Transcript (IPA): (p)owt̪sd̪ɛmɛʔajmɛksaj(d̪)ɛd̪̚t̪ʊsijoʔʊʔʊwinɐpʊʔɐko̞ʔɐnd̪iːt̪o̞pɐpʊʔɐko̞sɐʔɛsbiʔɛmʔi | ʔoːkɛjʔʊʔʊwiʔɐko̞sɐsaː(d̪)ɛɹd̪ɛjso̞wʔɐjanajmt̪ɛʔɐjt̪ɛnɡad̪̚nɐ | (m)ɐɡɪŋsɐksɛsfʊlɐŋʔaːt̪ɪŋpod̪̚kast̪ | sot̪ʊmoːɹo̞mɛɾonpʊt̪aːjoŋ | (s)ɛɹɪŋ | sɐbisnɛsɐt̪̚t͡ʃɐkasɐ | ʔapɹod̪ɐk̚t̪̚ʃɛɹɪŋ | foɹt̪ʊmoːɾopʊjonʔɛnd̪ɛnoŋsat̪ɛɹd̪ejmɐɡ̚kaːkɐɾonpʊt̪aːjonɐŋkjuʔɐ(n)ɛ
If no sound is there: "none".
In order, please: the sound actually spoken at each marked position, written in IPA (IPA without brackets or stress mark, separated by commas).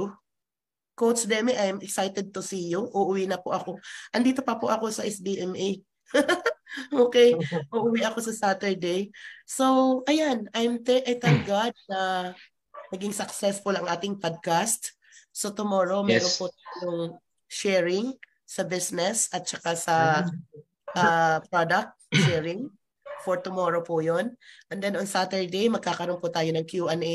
k, t̪, t̪, n, ʃ, n